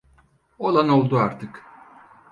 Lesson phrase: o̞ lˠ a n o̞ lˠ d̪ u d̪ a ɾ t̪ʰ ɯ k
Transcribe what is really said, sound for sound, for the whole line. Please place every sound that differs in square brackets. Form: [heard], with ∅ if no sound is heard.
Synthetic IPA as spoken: o̞ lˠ a n o̞ lˠ d̪ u [∅] a ɾ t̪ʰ ɯ k